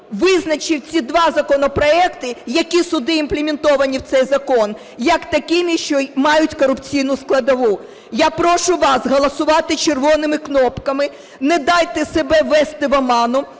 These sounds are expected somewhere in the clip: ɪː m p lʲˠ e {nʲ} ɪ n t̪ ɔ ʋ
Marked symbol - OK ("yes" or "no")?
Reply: no